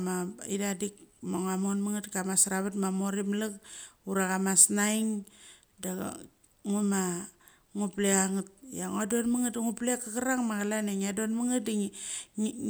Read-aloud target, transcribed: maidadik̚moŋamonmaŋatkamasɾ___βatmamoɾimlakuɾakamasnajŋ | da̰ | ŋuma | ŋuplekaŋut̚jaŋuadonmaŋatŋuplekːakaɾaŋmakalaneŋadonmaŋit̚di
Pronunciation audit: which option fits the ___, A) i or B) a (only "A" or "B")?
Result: B